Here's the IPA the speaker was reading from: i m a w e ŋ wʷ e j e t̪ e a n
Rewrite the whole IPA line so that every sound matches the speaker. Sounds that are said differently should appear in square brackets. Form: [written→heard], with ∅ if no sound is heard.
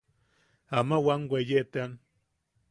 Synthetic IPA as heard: [i→a] m a w [e→a] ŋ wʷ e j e t̪ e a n